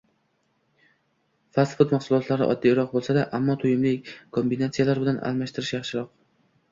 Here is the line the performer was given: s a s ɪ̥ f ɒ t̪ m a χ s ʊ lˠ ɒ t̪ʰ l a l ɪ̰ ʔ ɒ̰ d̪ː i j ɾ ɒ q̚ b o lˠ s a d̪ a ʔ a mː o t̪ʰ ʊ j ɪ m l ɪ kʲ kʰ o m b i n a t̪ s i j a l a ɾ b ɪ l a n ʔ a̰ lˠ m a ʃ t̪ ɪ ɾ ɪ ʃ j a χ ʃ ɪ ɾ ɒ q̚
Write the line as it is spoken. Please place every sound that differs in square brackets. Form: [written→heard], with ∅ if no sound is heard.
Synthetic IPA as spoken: [s→f] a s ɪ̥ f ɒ t̪ m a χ s ʊ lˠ ɒ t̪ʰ l a [l→ɾ] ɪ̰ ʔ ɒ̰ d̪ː i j ɾ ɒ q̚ b o lˠ s a d̪ a ʔ a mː [o→ɒ] t̪ʰ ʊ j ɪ m l ɪ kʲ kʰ o m b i n a t̪ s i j a l a ɾ b ɪ l a n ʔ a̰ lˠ m a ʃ t̪ ɪ ɾ ɪ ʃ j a χ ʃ ɪ ɾ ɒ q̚